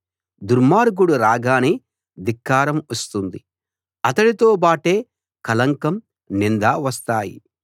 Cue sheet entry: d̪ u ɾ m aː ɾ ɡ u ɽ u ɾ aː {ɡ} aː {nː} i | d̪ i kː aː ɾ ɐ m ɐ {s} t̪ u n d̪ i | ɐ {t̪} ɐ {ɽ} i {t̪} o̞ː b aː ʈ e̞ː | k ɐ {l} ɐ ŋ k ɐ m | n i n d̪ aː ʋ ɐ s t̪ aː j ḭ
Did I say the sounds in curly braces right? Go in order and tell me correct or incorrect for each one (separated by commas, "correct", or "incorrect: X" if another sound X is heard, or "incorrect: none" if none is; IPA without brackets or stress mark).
correct, incorrect: n, correct, correct, correct, correct, correct